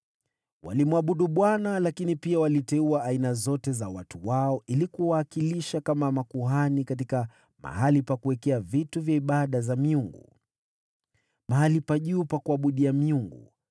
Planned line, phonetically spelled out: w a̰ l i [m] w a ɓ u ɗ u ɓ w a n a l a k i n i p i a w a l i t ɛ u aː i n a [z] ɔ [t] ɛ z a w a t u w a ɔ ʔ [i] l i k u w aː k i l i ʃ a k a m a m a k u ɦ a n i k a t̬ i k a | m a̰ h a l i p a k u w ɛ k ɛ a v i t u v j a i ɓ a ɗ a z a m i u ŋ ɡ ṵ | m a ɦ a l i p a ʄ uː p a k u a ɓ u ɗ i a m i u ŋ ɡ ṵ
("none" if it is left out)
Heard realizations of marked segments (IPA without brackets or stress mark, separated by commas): m, z, t, i